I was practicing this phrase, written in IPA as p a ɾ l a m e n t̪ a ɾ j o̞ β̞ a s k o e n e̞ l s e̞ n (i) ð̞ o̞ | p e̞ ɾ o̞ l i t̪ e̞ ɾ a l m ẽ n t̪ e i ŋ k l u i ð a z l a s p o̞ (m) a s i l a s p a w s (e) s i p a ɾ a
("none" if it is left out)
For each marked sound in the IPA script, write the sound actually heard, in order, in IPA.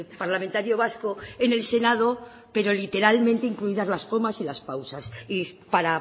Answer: a, m, a

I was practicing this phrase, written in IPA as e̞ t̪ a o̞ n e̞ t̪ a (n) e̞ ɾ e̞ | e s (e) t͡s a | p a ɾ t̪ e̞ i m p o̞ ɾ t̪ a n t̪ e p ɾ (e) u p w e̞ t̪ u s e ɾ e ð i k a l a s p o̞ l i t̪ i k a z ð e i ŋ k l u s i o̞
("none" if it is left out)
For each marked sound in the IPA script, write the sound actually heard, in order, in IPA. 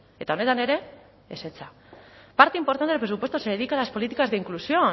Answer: n, e, e

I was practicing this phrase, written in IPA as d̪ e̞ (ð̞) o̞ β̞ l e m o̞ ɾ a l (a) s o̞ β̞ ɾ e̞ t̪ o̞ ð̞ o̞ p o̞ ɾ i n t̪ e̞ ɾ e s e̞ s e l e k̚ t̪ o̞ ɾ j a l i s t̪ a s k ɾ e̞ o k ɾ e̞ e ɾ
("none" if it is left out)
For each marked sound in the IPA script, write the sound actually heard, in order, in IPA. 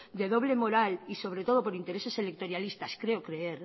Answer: ð̞, i

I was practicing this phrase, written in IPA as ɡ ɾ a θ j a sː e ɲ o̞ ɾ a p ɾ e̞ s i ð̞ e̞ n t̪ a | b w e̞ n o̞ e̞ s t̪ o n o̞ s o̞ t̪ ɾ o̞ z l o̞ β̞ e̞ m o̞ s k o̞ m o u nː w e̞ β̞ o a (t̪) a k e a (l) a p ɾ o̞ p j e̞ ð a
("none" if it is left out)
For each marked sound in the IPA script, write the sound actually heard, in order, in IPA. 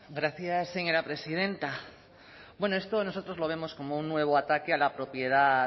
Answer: t̪, l

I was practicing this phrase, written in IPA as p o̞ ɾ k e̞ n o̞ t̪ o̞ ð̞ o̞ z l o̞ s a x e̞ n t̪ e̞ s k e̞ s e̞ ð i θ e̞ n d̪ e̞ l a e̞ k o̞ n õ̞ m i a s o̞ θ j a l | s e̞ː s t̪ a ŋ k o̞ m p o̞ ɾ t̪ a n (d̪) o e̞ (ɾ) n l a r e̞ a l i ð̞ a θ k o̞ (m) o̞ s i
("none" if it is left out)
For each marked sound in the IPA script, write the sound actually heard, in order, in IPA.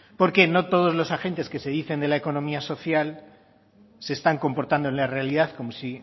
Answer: d̪, none, m

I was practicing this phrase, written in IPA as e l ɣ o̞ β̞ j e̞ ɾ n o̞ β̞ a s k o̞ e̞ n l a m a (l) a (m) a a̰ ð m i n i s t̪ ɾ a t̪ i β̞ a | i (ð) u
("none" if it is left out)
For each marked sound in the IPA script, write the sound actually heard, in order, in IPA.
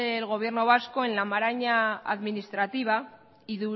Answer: ɾ, ɲ, ð

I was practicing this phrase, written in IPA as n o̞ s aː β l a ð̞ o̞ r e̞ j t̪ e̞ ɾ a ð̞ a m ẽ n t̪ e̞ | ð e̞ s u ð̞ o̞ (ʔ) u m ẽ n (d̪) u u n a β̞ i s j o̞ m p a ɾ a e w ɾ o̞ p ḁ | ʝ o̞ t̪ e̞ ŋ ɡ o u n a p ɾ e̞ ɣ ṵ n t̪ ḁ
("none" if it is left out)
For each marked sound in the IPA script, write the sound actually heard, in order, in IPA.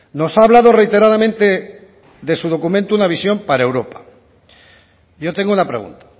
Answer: k, t̪

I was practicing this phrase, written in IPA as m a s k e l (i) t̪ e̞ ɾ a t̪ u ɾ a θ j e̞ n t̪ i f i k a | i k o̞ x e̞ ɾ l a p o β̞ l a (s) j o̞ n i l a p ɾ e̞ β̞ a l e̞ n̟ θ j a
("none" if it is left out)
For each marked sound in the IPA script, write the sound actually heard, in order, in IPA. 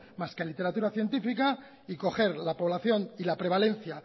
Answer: i, θ

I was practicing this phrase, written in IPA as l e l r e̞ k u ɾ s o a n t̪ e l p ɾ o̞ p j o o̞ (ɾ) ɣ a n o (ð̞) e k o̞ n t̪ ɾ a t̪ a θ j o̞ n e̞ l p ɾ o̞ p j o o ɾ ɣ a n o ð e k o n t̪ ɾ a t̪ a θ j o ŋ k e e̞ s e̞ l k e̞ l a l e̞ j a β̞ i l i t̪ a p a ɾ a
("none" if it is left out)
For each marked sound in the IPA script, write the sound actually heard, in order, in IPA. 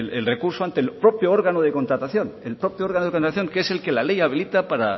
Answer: ɾ, ð̞

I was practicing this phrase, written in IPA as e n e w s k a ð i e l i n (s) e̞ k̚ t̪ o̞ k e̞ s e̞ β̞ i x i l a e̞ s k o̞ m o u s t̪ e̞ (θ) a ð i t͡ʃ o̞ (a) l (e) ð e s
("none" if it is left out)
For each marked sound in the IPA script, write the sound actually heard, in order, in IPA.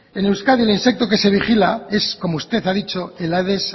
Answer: s, θ, e, a

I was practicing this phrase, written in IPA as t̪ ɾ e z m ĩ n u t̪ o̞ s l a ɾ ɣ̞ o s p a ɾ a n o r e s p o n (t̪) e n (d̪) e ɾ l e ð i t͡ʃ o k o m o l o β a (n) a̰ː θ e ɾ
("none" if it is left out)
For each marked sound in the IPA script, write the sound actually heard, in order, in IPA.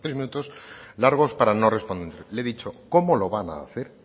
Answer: d̪, d̪, n

